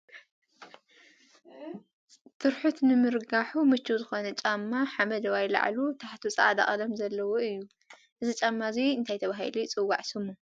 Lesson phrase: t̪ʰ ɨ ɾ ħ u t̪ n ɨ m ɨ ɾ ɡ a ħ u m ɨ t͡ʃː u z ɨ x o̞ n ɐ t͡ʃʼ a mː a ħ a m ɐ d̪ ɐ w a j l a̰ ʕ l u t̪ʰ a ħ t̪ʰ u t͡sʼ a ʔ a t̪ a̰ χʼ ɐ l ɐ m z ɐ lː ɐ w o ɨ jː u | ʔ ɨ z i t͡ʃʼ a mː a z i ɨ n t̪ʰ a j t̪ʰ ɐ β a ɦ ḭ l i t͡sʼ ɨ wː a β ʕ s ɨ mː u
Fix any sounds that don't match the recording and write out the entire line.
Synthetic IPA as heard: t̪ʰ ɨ ɾ ħ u t̪ n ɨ m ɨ ɾ ɡ a ħ u m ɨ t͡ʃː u z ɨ x o̞ n ɐ t͡ʃʼ a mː a ħ a m ɐ d̪ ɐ w a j l a̰ ʕ l u t̪ʰ a ħ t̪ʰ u t͡sʼ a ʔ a d̪ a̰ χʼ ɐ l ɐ m z ɐ lː ɐ w o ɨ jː u | ʔ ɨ z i t͡ʃʼ a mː a z i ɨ n t̪ʰ a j t̪ʰ ɐ β a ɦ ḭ l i t͡sʼ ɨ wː a ʕ s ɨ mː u

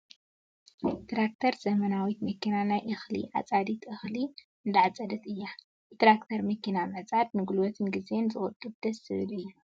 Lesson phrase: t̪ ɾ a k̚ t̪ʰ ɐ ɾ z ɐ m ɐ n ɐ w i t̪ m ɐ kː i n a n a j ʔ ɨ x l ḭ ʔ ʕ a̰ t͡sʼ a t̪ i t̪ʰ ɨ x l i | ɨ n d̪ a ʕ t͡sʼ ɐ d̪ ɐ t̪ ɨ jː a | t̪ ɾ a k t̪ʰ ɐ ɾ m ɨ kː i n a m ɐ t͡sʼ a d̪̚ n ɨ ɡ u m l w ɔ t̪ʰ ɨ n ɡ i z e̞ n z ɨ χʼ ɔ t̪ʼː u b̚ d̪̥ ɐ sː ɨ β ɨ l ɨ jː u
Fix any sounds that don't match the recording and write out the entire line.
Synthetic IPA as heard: t̪ ɾ a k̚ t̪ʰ ɐ ɾ z ɐ m ɐ n a w i t̪ m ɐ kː i n a n a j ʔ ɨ x l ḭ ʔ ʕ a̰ t͡sʼ a d̪ i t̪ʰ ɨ x l i | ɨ n d̪ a ʕ t͡sʼ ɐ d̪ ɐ t̪ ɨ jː a | t̪ ɾ a k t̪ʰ ɐ ɾ m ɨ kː i n a m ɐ t͡sʼ a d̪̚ n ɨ ɡ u l w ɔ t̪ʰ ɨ n ɡ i z e̞ n z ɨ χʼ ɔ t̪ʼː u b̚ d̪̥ ɐ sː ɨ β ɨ l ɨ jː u

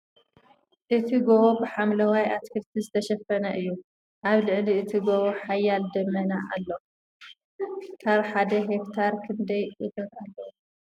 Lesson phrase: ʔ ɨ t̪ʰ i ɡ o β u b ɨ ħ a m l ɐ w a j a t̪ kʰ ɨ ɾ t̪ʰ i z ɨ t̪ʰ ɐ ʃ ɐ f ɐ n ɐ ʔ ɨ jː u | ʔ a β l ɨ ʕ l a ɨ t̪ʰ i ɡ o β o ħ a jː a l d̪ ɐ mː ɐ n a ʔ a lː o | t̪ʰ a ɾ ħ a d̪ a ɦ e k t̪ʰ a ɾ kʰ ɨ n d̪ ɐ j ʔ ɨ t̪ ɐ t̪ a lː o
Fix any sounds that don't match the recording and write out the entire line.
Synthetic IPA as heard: ʔ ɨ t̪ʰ i ɡ o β o b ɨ ħ a m l ɐ w a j a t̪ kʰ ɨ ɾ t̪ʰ i z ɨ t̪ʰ ɐ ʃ ɐ f ɐ n ɐ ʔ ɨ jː u | ʔ a β l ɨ ʕ l i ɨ t̪ʰ i ɡ o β o ħ a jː a l d̪ ɐ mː ɐ n a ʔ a lː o | t̪ʰ a ɾ ħ a d̪ ɐ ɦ e k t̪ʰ a ɾ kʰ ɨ n d̪ ɐ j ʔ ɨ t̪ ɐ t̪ a lː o

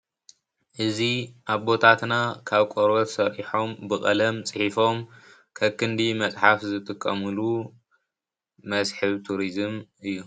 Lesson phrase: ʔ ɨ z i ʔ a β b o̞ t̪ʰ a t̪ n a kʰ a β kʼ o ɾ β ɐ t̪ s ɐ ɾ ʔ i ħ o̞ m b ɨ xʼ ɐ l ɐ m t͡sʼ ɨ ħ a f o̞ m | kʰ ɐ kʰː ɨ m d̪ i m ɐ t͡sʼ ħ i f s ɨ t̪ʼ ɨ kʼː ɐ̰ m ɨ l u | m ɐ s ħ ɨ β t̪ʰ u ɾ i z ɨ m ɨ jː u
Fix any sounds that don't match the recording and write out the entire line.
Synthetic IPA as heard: ʔ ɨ z i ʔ a β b o̞ t̪ʰ a t̪ n a kʰ a β kʼ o ɾ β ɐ t̪ s ɐ ɾ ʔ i ħ o̞ m b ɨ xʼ ɐ l ɐ m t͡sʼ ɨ ħ i f o̞ m | kʰ ɐ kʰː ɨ n d̪ i m ɐ t͡sʼ ħ a f z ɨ t̪ʼ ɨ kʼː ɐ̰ m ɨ l u | m ɐ s ħ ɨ β t̪ʰ u ɾ i z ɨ m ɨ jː u

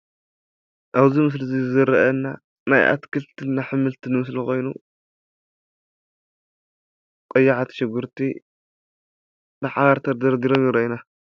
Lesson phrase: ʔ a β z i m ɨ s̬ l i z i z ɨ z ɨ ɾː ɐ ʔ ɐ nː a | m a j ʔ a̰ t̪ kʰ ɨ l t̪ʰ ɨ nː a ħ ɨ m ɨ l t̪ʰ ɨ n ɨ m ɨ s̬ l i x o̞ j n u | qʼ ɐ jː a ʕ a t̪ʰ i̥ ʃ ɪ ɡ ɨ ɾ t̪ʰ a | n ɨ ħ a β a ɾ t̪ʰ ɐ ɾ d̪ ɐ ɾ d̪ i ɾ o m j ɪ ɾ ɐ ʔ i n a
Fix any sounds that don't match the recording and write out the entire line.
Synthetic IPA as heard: ʔ a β z i m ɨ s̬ l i z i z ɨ z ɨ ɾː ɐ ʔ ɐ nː a | n a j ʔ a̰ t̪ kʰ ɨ l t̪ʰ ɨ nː a ħ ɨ m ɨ l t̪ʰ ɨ n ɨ m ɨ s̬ l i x o̞ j n u | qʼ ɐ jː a ʕ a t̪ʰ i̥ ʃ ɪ ɡ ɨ ɾ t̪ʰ i | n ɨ ħ a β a ɾ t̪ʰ ɐ ɾ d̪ ɐ ɾ d̪ i ɾ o m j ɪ ɾ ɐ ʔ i n a

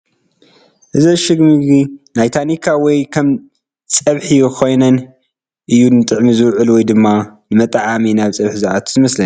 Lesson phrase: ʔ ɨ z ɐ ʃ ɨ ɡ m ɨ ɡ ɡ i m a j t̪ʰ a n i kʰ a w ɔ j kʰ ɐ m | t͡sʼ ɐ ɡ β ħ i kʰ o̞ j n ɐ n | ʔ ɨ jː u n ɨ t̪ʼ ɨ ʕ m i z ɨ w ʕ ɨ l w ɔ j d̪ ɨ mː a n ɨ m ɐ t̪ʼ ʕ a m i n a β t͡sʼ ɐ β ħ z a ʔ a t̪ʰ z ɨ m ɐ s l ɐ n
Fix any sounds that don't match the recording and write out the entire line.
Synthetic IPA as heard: ʔ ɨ z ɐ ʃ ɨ ɡ m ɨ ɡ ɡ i n a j t̪ʰ a n i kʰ a w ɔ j kʰ ɐ m | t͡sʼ ɐ β ħ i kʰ o̞ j n ɐ n | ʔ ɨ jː u n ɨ t̪ʼ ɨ ʕ m i z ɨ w ʕ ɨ l w ɔ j d̪ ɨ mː a n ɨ m ɐ t̪ʼ ʕ a m i n a β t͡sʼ ɐ β ħ z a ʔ a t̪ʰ z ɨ m ɐ s l ɐ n

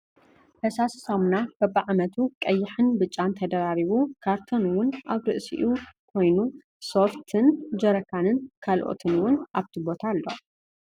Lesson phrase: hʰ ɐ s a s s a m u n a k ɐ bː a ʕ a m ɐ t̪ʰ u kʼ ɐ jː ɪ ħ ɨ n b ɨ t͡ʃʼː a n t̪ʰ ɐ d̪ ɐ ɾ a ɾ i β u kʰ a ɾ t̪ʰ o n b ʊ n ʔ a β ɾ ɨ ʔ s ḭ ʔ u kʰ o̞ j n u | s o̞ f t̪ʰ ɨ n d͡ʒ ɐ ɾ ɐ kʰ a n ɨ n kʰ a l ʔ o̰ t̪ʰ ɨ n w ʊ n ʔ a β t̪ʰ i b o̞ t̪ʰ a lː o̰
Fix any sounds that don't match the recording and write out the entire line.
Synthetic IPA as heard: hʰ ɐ s a s s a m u n a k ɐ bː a ʕ a m ɐ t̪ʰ u kʼ ɐ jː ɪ ħ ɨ n b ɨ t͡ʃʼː a n t̪ʰ ɐ d̪ ɐ ɾ a ɾ i β u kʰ a ɾ t̪ʰ o n w ʊ n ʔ a β ɾ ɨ ʔ s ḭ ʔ u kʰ o̞ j n u | s o̞ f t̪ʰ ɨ n d͡ʒ ɐ ɾ ɐ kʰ a n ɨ n kʰ a l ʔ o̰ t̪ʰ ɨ n w ʊ n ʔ a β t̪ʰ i b o̞ t̪ʰ a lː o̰

